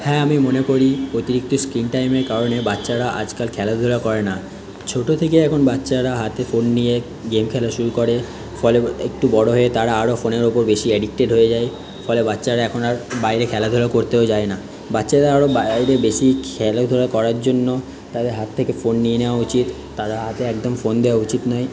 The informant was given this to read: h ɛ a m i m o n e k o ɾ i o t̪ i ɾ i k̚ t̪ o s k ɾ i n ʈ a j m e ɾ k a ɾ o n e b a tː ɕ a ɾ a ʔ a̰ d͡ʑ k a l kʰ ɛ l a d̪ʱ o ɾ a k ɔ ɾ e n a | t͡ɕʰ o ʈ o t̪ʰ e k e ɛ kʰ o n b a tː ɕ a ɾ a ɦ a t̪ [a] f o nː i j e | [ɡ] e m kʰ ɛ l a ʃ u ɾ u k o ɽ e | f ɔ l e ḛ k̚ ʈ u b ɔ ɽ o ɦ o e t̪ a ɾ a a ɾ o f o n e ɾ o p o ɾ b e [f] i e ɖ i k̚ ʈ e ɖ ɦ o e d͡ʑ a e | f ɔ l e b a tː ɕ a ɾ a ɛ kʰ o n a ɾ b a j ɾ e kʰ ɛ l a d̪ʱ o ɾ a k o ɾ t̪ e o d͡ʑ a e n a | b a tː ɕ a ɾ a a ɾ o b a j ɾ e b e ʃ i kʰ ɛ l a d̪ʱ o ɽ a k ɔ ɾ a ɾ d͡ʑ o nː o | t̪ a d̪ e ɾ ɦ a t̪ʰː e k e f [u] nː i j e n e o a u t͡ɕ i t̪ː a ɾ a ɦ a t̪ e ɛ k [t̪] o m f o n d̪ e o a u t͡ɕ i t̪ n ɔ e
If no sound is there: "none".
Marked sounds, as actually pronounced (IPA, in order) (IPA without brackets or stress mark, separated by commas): e, ɡ, ʃ, o, d̪